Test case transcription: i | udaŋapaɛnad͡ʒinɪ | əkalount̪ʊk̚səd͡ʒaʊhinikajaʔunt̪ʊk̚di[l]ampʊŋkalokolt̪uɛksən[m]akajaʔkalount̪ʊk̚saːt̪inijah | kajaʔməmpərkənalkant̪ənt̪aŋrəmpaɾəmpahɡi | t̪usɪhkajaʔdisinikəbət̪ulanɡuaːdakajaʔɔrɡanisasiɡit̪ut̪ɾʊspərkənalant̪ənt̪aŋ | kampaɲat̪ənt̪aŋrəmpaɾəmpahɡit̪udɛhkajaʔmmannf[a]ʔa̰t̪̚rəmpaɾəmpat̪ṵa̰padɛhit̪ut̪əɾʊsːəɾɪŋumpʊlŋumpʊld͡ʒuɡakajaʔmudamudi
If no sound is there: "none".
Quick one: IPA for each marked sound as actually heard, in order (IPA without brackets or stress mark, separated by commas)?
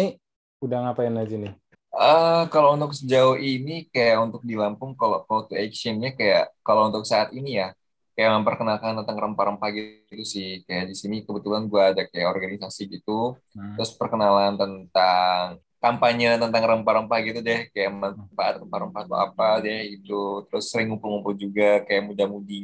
l, ɲ, a